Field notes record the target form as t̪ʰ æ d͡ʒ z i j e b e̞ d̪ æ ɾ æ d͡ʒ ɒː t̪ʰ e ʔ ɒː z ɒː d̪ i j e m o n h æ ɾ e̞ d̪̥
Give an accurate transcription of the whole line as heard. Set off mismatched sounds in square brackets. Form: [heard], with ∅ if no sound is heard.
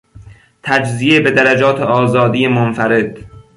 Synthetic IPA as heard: t̪ʰ æ d͡ʒ z i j e b e̞ d̪ æ ɾ æ d͡ʒ ɒː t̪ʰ e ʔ ɒː z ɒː d̪ i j e m o n [f] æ ɾ e̞ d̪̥